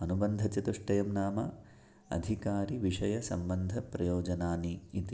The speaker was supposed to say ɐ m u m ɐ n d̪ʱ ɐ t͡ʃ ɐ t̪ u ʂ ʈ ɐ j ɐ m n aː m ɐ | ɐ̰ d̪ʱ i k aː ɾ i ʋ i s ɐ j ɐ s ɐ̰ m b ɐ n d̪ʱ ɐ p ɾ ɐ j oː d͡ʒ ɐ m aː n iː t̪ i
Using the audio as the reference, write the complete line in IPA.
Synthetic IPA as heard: ɐ n u b ɐ n d̪ʱ ɐ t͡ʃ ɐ t̪ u ʂ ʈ ɐ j ɐ m n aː m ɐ | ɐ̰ d̪ʱ i k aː ɾ i ʋ i ʂ ɐ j ɐ s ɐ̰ m b ɐ n d̪ʱ ɐ p ɾ ɐ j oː d͡ʒ ɐ n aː n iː t̪ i